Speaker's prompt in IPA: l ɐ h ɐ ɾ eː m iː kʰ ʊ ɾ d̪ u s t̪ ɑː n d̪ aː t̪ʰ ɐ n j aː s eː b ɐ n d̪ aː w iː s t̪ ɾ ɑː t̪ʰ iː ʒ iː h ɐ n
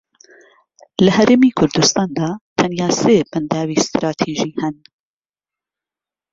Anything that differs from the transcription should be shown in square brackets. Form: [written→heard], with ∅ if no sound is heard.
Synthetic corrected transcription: l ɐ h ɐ ɾ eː m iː kʰ ʊ ɾ d̪ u s t̪ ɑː n d̪ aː t̪ʰ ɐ n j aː s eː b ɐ n d̪ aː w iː s t̪ ɾ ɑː t̪ʰ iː ʒ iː h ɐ n